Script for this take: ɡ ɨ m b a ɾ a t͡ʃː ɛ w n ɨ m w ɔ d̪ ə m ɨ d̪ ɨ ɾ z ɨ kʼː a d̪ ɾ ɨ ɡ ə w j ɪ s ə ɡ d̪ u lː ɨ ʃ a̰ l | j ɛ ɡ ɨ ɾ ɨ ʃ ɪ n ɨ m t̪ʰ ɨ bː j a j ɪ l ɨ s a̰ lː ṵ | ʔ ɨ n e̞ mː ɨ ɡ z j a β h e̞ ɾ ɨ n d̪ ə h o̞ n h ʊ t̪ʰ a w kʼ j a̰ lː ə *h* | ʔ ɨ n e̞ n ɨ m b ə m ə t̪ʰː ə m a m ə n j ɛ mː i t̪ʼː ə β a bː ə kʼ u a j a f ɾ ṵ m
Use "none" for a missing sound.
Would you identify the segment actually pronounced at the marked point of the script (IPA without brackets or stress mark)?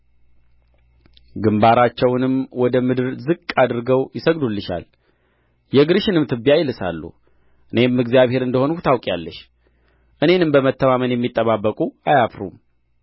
ʃ